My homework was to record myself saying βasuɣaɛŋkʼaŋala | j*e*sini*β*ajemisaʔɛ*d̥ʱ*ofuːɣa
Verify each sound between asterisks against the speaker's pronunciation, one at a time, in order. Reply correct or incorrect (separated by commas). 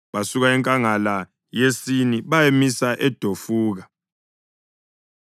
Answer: correct, correct, correct